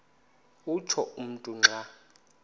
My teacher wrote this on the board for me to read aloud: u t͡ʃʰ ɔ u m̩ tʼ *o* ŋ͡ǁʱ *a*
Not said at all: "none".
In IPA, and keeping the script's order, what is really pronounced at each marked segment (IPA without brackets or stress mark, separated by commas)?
u, a